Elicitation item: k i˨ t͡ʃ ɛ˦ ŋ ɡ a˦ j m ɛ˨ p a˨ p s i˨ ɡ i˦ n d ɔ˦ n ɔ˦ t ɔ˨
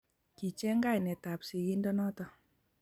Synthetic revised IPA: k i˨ t͡ʃ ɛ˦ ŋ ɡ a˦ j n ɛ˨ t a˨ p s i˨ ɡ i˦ n d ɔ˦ n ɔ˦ t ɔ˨